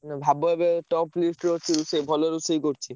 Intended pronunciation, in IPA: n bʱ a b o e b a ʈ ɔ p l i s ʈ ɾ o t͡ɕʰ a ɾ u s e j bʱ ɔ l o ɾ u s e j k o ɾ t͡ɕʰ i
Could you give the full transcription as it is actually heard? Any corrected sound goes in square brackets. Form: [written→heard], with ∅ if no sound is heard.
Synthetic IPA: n bʱ a b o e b [a→e] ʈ ɔ p l i s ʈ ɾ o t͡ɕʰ [a→i] ɾ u s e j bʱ ɔ l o ɾ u s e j k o ɾ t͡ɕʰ i